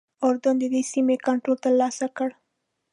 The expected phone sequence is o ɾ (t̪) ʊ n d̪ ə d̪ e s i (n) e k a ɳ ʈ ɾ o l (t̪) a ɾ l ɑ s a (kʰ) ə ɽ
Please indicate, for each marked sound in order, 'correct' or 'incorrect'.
incorrect: d̪, incorrect: m, correct, incorrect: k

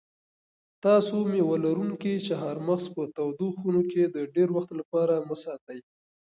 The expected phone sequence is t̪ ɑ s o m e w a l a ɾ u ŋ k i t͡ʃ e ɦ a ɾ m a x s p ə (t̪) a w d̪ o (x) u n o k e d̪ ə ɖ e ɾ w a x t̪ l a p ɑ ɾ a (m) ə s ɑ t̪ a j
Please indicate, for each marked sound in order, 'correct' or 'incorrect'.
correct, correct, correct

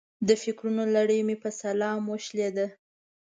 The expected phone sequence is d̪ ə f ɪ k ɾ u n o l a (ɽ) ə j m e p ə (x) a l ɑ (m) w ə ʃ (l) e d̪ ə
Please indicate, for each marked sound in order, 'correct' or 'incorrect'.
correct, incorrect: s, correct, correct

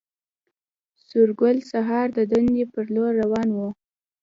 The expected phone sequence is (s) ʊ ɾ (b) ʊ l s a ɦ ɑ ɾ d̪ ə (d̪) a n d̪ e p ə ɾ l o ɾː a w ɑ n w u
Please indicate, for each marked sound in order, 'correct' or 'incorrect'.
correct, incorrect: ɡ, correct

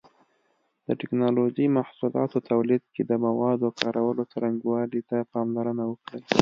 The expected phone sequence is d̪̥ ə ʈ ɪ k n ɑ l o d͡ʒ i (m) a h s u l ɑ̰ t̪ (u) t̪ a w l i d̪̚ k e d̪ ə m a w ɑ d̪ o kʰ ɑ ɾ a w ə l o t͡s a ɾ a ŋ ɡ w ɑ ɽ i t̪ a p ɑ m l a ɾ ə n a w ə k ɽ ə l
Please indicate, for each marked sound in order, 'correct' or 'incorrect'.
correct, incorrect: o

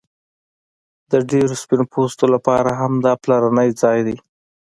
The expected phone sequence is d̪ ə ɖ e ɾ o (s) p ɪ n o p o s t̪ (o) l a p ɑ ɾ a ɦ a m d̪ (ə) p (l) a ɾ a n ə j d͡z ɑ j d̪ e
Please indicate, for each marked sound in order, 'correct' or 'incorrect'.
correct, correct, incorrect: ɑ, correct

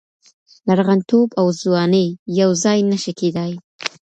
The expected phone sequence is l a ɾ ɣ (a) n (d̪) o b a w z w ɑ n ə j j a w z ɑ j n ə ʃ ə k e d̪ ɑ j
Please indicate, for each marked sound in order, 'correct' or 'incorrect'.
correct, incorrect: t̪

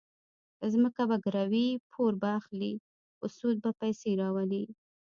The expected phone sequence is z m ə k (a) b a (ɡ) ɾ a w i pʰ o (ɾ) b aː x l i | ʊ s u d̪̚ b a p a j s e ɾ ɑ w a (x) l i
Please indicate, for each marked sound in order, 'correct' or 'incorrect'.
correct, correct, correct, incorrect: none

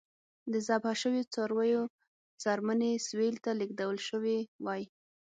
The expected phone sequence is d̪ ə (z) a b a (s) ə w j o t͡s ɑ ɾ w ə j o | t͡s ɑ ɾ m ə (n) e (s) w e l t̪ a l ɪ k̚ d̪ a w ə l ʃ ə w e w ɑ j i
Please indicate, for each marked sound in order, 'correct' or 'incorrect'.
correct, incorrect: ʃ, correct, correct

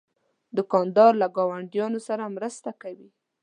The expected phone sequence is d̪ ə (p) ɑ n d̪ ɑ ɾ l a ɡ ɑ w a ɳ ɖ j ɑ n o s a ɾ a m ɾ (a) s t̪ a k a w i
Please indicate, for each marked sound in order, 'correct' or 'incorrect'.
incorrect: k, incorrect: ə

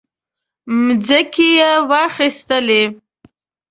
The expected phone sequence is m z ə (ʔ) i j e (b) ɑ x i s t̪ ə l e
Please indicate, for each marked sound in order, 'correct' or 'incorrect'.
incorrect: k, incorrect: w

